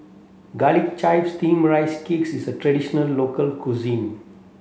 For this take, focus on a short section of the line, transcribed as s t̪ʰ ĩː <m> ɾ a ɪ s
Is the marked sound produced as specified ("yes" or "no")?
yes